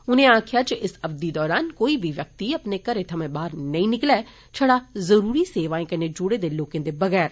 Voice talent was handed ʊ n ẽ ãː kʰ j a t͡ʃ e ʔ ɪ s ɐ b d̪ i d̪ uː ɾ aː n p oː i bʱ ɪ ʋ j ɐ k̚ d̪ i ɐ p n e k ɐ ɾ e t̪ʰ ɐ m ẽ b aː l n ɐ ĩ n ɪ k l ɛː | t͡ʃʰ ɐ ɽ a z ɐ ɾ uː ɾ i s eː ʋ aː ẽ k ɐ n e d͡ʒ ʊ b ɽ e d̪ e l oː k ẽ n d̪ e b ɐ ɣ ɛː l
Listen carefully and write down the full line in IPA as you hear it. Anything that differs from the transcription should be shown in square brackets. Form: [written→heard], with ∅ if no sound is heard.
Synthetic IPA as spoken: ʊ n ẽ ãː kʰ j a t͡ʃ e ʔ ɪ s ɐ b d̪ i d̪ [uː→ɔː] ɾ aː n [p→k] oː i bʱ [ɪ→i] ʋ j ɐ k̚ [d̪→t̪] i ɐ p n e k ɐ ɾ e t̪ʰ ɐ m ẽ b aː [l→ɾ] n ɐ ĩ n ɪ k l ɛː | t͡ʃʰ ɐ ɽ a z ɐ ɾ uː ɾ i s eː ʋ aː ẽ k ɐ n e d͡ʒ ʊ [b→∅] ɽ e d̪ e l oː k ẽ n d̪ e b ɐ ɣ ɛː [l→ɾ]